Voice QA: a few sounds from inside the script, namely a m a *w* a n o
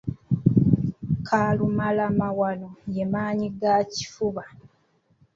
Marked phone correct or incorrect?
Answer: correct